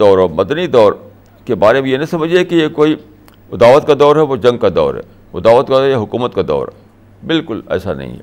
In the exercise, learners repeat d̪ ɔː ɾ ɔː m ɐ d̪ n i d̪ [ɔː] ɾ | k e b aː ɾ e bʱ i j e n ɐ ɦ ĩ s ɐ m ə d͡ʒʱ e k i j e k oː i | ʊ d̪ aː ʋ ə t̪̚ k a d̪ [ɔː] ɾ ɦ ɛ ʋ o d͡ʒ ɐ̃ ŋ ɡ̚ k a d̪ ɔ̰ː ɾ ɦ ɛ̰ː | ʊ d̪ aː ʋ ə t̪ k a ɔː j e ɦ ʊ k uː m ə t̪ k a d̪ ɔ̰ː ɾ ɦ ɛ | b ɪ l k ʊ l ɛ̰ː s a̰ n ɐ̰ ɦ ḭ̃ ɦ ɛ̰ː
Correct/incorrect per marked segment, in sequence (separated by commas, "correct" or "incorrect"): correct, correct